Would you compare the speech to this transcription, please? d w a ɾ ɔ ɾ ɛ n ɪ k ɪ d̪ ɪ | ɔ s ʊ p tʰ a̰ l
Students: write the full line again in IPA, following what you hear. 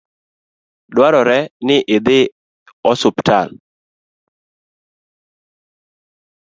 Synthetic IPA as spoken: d w a ɾ ɔ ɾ ɛ n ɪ ʔ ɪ d̪ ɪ | ɔ s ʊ p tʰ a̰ l